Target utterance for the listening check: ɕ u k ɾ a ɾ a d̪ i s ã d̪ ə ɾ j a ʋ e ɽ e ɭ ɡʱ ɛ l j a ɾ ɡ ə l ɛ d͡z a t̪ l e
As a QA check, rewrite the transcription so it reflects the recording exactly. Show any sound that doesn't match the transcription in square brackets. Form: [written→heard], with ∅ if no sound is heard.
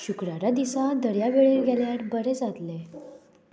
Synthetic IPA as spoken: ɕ u k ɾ a ɾ a d̪ i s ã d̪ ə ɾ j a ʋ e [ɽ→ɭ] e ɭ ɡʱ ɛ l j a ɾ [ɡ→b] ə [l→ɾ] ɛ d͡z a t̪ l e